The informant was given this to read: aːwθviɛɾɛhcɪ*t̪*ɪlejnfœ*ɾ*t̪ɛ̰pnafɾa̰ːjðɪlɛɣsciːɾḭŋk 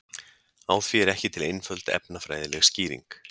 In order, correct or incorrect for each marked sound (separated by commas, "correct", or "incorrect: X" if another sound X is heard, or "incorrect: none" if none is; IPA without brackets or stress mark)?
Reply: incorrect: t̪ʰ, incorrect: l